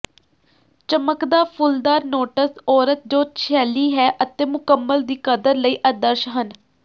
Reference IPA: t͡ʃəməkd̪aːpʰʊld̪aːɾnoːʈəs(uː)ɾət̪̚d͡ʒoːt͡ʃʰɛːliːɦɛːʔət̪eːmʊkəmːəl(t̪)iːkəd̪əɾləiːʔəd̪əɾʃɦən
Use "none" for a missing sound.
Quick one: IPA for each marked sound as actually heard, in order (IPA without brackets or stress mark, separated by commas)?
ɔː, d̪